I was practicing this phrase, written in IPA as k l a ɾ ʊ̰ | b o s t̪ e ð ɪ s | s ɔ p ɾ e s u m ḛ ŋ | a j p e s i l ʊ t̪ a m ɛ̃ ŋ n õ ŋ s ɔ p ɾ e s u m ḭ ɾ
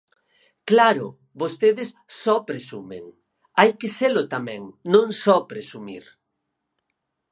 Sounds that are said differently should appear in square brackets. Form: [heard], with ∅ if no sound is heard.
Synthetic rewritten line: k l a ɾ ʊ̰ | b o s t̪ e ð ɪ s | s ɔ p ɾ e s u m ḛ ŋ | a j [k] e s [e] l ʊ t̪ a m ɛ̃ ŋ n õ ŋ s ɔ p ɾ e s u m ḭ ɾ